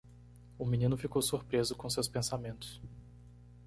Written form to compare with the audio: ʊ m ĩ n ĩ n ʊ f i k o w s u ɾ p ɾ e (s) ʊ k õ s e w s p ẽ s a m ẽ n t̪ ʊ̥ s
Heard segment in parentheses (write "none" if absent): z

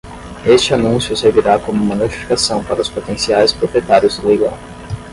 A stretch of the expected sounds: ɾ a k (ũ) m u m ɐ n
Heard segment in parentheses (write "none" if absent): õ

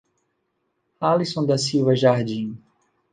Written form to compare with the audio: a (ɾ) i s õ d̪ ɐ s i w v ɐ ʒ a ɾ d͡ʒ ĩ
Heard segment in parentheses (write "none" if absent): l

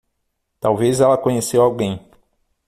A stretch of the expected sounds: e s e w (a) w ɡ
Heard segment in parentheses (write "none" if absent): a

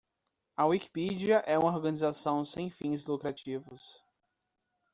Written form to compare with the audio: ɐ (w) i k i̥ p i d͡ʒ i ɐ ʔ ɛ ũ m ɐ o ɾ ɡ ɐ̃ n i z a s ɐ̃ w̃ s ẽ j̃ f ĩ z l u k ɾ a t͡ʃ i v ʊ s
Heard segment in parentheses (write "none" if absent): w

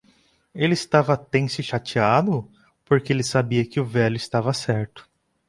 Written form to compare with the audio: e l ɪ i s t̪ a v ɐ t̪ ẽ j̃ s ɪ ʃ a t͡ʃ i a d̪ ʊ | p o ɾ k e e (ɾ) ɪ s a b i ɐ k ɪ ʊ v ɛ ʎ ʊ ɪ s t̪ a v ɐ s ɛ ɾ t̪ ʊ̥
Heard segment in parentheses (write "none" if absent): l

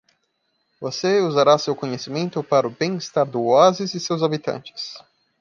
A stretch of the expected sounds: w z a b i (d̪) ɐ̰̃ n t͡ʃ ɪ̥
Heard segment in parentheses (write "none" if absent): t̪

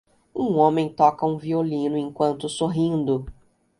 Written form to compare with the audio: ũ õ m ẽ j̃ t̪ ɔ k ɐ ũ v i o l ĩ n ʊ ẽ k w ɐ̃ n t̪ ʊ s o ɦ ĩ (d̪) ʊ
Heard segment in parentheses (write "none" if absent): d̪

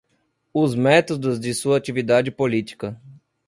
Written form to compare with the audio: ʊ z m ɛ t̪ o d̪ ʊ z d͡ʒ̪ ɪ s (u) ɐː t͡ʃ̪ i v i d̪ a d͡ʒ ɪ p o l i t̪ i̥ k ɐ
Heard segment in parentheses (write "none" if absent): u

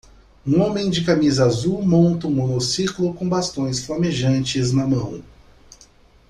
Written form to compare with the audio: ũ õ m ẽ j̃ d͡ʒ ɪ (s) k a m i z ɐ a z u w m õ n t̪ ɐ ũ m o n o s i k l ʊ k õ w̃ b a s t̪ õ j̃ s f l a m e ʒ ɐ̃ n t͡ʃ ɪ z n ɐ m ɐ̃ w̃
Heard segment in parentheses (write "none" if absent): none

